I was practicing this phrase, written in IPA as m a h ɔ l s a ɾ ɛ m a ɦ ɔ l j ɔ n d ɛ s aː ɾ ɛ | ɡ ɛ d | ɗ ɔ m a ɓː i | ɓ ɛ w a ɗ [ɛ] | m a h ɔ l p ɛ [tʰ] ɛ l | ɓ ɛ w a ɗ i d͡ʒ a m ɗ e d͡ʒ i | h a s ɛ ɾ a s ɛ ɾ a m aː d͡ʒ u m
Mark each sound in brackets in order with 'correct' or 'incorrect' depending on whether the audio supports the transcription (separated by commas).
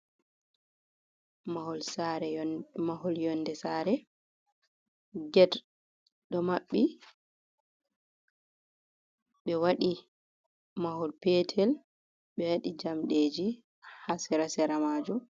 incorrect, correct